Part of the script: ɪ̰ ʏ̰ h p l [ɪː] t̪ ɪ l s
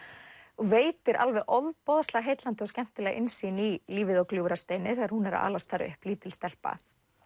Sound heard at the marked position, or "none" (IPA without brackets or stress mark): iː